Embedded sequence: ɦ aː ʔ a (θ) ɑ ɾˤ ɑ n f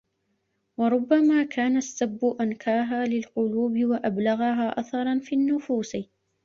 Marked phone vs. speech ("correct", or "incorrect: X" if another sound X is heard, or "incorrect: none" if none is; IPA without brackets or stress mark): correct